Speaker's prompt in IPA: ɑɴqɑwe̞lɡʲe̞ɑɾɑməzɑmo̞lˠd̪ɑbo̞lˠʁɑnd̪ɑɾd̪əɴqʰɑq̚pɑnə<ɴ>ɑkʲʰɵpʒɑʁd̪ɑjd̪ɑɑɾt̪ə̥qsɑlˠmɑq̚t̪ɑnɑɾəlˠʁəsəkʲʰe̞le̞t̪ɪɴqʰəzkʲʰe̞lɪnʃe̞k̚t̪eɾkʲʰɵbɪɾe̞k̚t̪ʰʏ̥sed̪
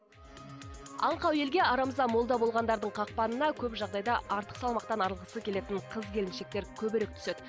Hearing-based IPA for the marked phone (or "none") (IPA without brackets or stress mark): n